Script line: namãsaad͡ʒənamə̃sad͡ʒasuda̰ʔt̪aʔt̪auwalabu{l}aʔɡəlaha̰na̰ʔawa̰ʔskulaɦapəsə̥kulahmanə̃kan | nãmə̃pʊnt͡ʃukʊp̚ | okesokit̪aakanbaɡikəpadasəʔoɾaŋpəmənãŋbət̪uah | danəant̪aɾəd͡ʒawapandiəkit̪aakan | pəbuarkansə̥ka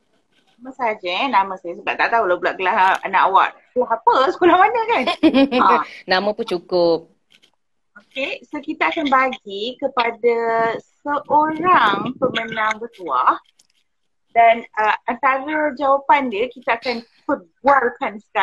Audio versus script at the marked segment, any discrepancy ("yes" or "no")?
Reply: no